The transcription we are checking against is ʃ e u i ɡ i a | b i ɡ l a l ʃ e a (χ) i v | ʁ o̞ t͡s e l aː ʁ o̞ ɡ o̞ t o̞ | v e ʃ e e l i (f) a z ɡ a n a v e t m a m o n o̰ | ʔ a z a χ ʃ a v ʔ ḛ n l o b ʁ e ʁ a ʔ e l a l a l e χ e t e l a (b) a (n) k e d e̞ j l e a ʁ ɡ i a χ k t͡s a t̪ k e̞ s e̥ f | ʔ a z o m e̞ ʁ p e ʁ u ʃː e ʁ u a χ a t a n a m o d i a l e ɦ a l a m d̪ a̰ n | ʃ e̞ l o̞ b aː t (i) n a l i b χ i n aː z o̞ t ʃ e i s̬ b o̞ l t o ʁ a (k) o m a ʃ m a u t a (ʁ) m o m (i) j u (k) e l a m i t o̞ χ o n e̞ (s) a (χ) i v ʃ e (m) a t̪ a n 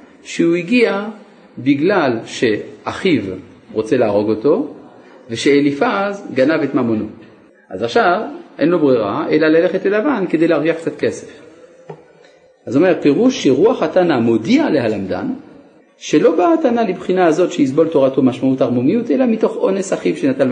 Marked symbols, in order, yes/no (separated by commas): yes, yes, no, yes, no, no, yes, yes, no, yes, yes, no